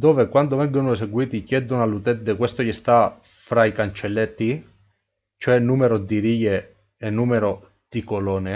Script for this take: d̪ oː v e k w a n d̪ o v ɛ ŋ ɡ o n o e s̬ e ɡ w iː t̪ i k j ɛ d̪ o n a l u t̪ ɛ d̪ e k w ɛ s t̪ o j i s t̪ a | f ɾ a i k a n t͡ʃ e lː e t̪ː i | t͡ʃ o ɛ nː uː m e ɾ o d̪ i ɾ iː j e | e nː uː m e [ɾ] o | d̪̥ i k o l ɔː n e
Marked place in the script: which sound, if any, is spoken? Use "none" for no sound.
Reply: ɾ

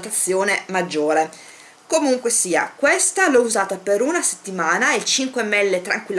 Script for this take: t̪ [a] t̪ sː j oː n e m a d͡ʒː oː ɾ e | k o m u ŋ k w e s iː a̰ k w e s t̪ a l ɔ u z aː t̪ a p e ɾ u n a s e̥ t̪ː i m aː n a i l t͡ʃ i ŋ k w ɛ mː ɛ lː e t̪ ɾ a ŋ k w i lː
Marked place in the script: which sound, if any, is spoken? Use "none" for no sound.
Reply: a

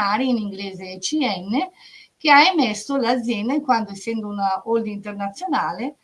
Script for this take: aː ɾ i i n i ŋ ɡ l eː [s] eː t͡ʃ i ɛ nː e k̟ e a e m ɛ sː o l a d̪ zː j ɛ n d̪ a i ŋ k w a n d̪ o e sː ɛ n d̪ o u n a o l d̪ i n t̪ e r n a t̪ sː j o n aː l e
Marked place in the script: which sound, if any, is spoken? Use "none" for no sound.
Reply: z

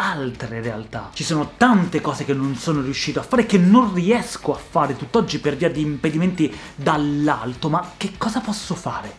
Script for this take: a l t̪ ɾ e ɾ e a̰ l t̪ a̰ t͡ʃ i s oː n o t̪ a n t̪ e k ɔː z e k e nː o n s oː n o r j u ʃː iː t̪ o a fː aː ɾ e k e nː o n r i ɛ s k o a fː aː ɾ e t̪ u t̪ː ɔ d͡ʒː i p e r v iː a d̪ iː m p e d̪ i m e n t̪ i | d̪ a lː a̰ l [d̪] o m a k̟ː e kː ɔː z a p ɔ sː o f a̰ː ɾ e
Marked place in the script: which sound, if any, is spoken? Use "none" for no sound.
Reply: t̪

